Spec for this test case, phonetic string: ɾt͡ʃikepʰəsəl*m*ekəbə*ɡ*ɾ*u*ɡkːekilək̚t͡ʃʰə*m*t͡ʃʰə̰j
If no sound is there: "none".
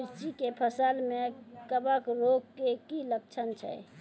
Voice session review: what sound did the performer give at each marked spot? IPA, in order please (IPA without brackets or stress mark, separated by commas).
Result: m, k, o, n